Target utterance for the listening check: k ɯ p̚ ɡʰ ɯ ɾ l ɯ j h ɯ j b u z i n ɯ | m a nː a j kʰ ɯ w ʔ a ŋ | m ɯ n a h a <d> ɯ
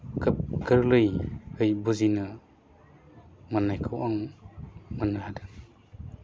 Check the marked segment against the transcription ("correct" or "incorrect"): correct